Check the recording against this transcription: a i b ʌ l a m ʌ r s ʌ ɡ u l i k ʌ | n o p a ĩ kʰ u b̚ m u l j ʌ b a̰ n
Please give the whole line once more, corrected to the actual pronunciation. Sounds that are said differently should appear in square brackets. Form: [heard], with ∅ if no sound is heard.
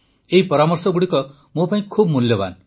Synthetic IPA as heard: [e] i [p] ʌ [ɾ] a m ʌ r s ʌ ɡ u [ɽ] i k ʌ | [m] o p a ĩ kʰ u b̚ m u l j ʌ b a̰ n